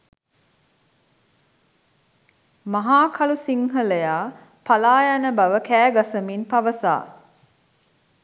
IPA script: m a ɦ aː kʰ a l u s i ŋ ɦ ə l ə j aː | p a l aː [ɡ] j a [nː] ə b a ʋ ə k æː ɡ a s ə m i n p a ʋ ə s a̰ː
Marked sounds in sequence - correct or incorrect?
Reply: incorrect, incorrect

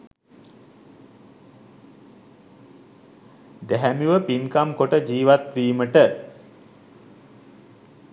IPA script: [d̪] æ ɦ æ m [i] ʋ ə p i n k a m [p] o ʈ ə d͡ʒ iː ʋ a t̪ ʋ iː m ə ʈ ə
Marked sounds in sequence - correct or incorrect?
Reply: correct, correct, incorrect

